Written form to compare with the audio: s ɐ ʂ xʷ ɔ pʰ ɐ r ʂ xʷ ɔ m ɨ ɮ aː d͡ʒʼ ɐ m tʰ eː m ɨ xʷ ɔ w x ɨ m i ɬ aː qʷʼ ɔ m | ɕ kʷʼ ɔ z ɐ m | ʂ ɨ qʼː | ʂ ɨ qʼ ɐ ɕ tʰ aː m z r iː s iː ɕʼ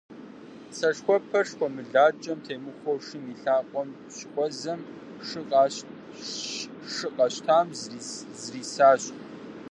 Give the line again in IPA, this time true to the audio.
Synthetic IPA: s ɐ ʂ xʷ ɔ pʰ ɐ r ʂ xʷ ɔ m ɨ ɮ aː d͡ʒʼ ɐ m tʰ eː m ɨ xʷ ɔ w ʂ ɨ m i ɬ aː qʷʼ ɔ m | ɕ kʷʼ ɔ z ɐ m | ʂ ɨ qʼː | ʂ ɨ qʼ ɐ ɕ tʰ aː m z r iː s aː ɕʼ